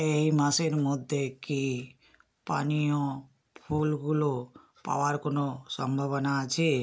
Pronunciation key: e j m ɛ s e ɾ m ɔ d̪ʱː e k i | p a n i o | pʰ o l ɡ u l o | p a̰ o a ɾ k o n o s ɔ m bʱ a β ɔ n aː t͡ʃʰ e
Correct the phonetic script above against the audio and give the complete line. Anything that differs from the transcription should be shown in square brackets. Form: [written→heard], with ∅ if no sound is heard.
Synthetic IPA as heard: e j m [ɛ→a] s e ɾ m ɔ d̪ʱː e k i | p a n i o | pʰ [o→u] l ɡ u l o | p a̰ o a ɾ k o n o s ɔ m bʱ a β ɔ n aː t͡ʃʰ e